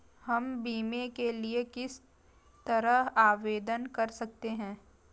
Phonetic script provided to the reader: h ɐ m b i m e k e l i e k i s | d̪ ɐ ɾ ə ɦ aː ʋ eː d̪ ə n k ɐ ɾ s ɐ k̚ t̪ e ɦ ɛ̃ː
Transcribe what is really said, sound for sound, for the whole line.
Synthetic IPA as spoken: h ɐ m b iː m e k e l i e k ɪ s | t̪ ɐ ɾ ə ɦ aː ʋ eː d̪ ə n k ɐ ɾ s ɐ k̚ t̪ e ɦ ɛ̃ː